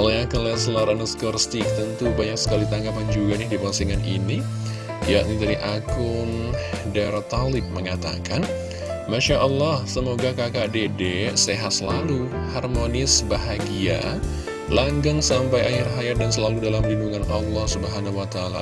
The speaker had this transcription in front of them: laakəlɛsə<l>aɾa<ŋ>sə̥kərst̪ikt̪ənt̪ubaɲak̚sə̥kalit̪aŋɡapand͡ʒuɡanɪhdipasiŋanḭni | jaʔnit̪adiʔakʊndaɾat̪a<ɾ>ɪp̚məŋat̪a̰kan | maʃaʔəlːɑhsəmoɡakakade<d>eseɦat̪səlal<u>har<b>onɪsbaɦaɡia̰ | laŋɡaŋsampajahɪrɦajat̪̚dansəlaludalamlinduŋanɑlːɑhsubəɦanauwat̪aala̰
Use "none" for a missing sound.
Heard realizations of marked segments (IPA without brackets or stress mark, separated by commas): l, n, l, d, u, m